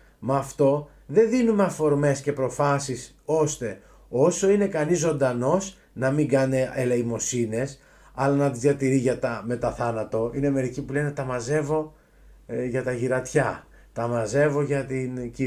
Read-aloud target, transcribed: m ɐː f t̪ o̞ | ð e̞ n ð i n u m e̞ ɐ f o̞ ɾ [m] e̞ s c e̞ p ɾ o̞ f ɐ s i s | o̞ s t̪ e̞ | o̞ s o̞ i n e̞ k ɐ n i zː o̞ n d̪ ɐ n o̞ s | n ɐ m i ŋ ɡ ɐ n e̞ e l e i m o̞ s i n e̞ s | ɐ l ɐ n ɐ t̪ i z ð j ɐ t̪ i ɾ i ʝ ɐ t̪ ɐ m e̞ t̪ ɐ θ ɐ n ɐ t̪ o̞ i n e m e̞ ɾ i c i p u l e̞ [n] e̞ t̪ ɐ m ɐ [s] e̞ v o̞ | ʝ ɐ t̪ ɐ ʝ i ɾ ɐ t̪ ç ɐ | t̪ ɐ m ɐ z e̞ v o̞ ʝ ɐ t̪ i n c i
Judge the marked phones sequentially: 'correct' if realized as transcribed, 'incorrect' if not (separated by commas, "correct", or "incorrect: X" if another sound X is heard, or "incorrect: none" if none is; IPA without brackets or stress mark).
correct, correct, incorrect: z